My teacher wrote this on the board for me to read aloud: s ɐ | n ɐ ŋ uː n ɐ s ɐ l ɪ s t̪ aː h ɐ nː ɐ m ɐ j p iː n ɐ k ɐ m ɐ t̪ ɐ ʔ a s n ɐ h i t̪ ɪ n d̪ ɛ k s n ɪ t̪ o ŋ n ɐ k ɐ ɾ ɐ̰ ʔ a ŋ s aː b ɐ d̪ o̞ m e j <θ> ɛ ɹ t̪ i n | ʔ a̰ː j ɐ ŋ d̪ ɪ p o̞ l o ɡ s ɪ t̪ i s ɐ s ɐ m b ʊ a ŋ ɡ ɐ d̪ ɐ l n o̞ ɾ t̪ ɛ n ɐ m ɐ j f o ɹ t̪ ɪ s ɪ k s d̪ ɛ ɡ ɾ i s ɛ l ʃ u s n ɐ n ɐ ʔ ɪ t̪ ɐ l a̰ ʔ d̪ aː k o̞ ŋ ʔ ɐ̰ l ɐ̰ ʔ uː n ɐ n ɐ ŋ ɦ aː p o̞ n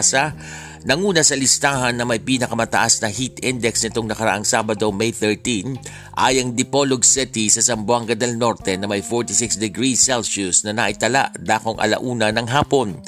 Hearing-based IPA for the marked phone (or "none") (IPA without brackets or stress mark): θ